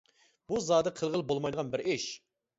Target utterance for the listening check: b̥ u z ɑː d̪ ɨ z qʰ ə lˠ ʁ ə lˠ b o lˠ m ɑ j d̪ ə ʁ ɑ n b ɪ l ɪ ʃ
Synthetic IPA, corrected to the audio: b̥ u z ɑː d̪ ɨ qʰ ə lˠ ʁ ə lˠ b o lˠ m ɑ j d̪ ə ʁ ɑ n b ɪ ɾ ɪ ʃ